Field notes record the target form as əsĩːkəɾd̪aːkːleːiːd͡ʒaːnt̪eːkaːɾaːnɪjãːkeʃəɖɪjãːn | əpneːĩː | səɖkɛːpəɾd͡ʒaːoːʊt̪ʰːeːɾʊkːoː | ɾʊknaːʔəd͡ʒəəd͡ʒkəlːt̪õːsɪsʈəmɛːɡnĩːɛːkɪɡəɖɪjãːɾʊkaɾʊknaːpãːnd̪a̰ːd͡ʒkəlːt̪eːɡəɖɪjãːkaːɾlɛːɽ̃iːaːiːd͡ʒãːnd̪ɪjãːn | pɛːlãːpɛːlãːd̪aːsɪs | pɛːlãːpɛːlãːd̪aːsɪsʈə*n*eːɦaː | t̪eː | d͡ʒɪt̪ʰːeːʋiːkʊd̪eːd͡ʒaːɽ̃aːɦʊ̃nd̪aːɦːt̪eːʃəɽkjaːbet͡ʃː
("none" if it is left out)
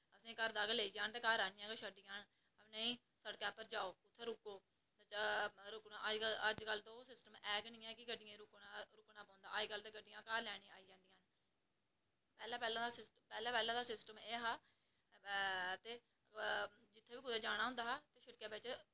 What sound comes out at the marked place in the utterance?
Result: m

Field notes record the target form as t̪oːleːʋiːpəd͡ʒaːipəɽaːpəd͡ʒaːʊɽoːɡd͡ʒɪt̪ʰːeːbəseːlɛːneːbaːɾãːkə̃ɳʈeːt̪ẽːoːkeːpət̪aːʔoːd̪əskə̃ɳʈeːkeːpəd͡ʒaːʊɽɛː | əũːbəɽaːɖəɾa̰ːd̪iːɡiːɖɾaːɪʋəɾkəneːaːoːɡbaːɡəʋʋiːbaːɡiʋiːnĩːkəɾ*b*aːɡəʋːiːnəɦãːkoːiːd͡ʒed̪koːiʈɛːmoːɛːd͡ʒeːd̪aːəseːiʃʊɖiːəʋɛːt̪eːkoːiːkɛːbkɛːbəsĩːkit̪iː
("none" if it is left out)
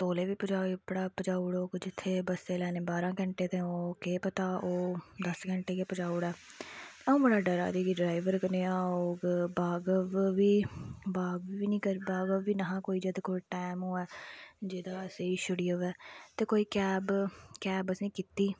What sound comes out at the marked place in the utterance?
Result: b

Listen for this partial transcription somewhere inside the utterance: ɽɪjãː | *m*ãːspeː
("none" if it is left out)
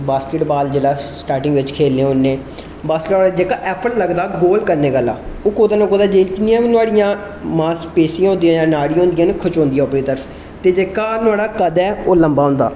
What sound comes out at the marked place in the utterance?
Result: m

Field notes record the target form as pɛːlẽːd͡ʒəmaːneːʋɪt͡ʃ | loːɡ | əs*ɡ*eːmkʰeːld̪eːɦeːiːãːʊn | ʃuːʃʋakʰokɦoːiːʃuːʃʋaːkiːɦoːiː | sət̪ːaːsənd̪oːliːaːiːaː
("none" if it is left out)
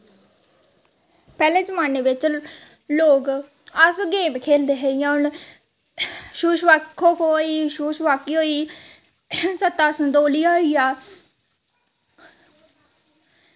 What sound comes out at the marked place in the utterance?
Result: ɡ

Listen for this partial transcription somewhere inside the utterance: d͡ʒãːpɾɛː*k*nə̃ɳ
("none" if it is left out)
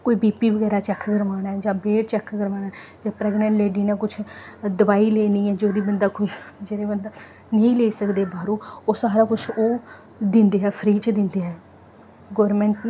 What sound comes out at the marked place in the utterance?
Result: ɡ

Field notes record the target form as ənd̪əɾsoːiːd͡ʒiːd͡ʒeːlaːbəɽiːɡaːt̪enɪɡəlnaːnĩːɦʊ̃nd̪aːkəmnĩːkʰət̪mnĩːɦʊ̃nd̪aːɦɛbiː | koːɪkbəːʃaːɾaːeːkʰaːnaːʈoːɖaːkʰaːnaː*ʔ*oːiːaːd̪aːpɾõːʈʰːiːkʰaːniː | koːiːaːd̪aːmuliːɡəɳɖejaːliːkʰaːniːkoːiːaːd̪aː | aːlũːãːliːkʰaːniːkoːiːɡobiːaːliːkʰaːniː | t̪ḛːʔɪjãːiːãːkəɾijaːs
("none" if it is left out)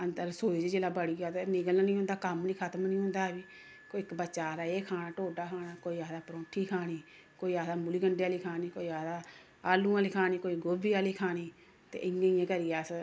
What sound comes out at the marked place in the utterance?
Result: k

